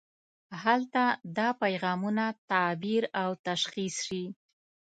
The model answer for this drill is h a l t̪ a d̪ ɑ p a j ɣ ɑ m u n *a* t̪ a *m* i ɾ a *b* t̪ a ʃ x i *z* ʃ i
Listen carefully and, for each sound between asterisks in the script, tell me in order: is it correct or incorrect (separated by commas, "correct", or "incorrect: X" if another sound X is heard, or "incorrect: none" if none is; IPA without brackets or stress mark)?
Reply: correct, incorrect: b, incorrect: w, incorrect: s